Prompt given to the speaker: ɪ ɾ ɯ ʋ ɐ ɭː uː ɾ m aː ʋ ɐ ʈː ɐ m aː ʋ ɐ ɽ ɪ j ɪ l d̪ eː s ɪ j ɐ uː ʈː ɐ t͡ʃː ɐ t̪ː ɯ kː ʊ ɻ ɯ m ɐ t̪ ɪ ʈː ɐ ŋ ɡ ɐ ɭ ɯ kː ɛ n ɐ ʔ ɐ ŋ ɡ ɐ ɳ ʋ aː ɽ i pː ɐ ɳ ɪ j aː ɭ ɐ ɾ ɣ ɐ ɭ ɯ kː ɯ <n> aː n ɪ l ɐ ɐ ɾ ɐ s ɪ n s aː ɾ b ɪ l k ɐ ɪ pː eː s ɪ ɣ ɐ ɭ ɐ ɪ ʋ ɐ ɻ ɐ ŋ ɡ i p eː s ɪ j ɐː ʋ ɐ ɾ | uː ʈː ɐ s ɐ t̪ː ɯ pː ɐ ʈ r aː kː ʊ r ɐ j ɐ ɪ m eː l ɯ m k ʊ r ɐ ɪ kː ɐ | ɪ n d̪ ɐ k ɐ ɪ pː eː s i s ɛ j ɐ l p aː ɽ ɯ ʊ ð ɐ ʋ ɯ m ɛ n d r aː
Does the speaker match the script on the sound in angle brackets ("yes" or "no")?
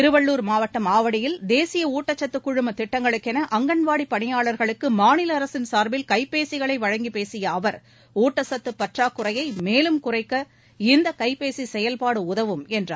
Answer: no